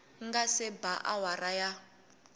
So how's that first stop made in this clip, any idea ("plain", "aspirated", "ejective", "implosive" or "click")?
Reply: plain